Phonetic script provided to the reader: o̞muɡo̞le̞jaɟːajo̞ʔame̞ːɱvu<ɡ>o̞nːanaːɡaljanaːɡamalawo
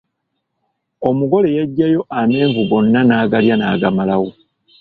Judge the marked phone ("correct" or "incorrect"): correct